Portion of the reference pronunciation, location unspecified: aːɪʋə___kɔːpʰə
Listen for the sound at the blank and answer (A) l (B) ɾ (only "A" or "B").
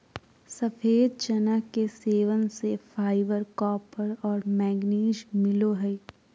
B